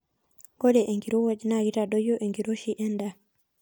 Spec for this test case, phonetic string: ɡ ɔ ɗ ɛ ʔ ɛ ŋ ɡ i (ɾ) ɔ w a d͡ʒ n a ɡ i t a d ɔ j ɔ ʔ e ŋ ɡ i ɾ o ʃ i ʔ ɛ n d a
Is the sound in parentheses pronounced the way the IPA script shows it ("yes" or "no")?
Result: yes